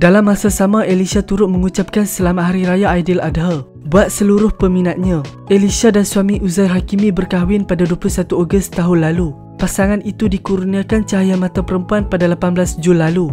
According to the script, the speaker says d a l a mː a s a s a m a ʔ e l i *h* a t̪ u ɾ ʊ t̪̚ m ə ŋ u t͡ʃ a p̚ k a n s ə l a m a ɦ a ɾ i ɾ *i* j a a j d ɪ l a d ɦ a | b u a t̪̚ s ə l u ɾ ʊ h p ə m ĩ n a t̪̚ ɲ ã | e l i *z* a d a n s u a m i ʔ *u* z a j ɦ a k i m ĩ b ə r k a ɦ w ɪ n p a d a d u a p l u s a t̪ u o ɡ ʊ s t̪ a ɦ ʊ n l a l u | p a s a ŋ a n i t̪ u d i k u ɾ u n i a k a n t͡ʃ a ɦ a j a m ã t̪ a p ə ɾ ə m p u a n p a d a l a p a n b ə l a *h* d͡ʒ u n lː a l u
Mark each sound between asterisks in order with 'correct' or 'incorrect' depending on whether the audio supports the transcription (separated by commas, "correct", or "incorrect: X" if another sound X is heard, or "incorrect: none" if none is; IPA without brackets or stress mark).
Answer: incorrect: s, incorrect: a, incorrect: s, correct, incorrect: s